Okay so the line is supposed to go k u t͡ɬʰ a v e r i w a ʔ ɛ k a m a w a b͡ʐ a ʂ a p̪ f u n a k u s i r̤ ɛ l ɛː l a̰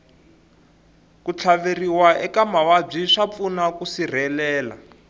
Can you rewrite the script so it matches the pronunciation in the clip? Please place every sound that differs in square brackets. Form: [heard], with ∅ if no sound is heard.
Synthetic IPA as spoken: k u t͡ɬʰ a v e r i w a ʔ ɛ k a m a w a b͡ʐ [i] ʂ a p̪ f u n a k u s i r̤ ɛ l ɛː l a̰